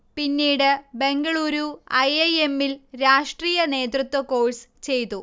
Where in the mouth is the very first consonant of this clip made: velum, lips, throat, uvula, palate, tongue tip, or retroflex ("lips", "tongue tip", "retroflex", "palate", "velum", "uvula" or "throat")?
lips